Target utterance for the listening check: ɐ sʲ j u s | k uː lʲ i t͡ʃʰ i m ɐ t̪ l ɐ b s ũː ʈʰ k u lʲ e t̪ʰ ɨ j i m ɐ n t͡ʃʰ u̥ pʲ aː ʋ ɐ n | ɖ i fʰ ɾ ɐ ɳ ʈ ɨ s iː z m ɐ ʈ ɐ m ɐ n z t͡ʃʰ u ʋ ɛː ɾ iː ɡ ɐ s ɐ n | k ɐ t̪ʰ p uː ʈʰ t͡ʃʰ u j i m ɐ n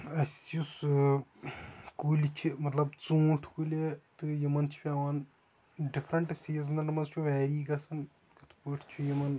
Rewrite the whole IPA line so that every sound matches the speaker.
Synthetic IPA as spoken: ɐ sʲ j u s | k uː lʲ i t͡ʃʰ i m ɐ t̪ l ɐ b t͡s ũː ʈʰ k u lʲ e t̪ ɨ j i m ɐ n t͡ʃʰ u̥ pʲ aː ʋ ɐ n | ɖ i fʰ ɾ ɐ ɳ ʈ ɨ s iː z n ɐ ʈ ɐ m ɐ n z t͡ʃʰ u ʋ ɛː ɾ iː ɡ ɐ s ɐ n | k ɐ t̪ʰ p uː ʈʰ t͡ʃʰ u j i m ɐ n